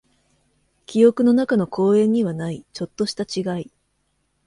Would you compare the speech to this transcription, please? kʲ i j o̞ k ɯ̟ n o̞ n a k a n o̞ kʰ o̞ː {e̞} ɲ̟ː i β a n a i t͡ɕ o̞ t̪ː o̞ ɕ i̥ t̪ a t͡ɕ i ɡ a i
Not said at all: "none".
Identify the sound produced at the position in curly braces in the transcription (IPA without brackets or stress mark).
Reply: ẽ̞